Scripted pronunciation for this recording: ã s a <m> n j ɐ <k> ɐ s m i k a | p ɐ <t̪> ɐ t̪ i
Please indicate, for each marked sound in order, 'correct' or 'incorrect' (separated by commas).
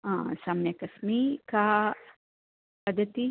correct, correct, incorrect